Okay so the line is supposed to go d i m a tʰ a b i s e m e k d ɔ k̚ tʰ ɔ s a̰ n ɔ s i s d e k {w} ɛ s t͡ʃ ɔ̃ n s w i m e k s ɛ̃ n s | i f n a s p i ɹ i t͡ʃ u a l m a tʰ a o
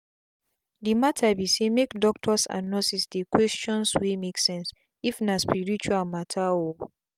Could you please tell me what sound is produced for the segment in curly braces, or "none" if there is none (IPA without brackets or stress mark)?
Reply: w